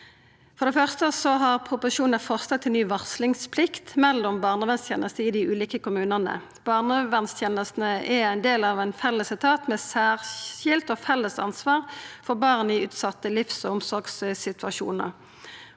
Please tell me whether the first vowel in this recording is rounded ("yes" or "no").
yes